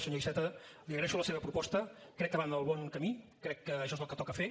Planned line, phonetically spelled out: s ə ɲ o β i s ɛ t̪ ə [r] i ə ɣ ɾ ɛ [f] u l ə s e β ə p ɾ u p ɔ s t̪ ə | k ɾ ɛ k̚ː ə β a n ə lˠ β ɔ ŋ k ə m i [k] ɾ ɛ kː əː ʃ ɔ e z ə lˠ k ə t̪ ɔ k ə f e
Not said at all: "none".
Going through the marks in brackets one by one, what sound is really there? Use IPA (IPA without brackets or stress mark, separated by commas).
l, ʃ, k